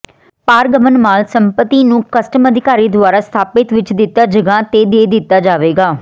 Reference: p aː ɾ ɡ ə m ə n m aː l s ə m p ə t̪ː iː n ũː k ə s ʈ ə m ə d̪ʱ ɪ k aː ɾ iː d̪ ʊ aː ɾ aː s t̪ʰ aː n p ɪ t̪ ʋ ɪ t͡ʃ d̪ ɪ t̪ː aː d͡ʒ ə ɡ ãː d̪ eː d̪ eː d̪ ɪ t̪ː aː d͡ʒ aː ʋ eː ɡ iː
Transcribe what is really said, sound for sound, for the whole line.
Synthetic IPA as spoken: p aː ɾ ɡ ə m ə n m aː l s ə m p ə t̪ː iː n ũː k ə s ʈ ə m ə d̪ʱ ɪ k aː ɾ iː d̪ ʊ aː ɾ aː s t̪ʰ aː p ɪ t̪ ʋ ɪ t͡ʃ d̪ ɪ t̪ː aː d͡ʒ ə ɡ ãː t̪ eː d̪ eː d̪ ɪ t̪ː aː d͡ʒ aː ʋ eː ɡ aː